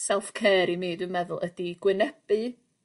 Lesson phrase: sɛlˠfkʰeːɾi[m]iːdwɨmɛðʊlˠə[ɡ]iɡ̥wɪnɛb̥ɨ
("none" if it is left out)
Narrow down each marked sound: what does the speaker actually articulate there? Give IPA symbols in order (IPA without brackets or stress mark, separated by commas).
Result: m, d